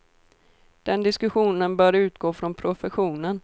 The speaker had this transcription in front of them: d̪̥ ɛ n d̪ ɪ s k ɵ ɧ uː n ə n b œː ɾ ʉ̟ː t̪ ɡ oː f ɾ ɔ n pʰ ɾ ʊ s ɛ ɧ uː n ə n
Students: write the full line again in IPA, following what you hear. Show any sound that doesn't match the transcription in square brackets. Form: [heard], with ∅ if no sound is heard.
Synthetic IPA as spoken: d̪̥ ɛ n d̪ ɪ s k ɵ ɧ uː n ə n b œː ɾ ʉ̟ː t̪ ɡ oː f ɾ ɔ n pʰ ɾ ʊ [f] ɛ ɧ uː n ə n